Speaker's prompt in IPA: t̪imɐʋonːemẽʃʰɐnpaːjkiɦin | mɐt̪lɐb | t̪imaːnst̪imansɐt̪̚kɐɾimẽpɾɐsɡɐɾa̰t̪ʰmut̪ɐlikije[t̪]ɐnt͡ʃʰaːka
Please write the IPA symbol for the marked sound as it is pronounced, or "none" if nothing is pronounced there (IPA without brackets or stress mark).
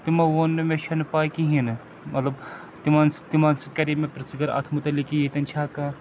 t̪